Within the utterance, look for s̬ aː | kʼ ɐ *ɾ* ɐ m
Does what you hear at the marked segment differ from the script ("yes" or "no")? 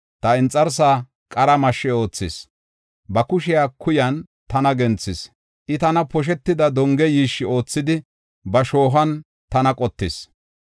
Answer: no